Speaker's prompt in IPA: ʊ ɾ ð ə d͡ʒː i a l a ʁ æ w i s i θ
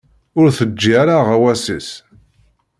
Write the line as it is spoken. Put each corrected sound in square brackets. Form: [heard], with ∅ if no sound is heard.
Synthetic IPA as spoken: ʊ ɾ [θ] ə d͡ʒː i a [ɾ] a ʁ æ w [æ] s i [s]